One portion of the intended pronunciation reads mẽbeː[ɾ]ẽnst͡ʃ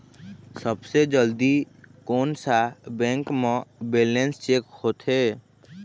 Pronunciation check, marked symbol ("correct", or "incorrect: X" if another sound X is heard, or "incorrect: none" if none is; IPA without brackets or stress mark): incorrect: l